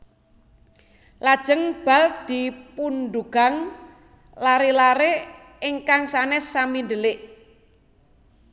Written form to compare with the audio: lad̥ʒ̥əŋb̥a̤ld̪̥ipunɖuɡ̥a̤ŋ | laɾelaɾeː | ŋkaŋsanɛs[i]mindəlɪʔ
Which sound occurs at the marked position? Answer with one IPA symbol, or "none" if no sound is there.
a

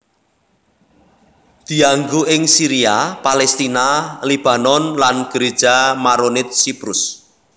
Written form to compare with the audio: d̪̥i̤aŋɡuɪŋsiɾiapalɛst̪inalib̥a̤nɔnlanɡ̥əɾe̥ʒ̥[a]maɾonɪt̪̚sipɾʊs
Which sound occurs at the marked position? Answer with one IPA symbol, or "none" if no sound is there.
a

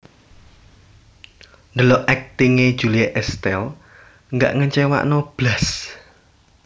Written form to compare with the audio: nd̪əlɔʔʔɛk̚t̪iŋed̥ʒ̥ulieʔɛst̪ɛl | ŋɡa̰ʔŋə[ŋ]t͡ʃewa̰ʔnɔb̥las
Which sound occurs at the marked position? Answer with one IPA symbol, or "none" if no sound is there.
ɲ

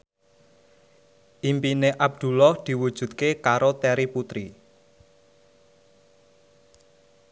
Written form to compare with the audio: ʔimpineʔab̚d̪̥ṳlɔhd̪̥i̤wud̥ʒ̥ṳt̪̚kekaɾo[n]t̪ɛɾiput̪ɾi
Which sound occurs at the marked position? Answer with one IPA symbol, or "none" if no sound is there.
none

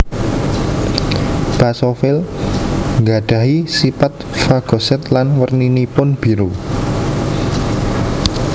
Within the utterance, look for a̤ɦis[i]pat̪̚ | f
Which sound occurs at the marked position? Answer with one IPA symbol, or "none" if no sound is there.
i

